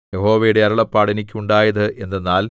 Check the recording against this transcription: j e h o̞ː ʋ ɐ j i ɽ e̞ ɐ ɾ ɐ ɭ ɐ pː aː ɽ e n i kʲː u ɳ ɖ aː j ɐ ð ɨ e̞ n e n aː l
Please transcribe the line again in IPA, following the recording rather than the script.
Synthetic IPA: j e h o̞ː ʋ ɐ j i ɽ e̞ ɐ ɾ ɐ ɭ ɐ pː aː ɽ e n i kʲː u ɳ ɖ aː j ɐ ð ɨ e̞ nː e nː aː l